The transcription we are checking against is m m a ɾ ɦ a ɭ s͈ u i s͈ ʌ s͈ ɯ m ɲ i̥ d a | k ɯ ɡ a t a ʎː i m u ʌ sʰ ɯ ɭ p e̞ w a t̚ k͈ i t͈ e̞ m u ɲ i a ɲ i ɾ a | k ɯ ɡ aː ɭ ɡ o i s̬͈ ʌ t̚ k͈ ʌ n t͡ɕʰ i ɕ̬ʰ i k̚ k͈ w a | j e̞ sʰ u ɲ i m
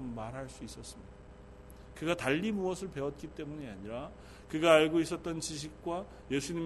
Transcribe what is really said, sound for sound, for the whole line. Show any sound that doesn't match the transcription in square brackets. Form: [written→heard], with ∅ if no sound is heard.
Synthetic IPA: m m a ɾ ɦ a ɭ s͈ u i s͈ ʌ s͈ ɯ m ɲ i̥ d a | k ɯ ɡ a t a ʎː i m u ʌ sʰ ɯ ɭ p e̞ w [a→ʌ] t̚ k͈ i t͈ e̞ m u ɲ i a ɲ i ɾ a | k ɯ ɡ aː ɭ ɡ o i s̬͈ ʌ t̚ [k͈→t͈] ʌ n [t͡ɕʰ→t͡ɕ] i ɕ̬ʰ i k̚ k͈ w a | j e̞ sʰ u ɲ i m